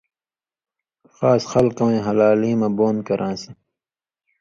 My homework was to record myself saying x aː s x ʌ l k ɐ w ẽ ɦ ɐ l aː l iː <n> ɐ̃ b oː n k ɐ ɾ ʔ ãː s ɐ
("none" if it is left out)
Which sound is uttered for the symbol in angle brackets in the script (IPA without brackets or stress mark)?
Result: m